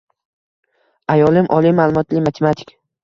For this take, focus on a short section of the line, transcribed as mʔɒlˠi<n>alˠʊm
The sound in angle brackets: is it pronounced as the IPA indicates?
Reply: no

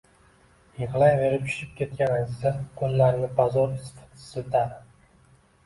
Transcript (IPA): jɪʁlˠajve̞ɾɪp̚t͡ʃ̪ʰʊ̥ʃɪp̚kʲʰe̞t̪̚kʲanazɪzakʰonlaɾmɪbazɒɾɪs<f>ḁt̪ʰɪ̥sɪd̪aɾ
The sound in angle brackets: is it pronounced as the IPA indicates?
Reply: yes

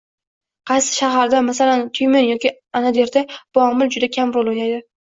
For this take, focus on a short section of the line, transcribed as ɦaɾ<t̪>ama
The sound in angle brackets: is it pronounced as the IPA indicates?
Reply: no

